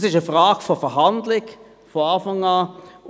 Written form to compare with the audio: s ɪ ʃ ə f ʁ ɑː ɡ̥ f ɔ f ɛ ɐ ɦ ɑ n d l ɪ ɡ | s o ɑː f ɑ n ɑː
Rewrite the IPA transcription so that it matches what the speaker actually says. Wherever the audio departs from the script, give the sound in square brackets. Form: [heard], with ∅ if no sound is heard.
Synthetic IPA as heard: s ɪ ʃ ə f ʁ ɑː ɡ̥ f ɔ f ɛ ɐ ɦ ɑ n d l ɪ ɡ | [f] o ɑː f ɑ [ŋ] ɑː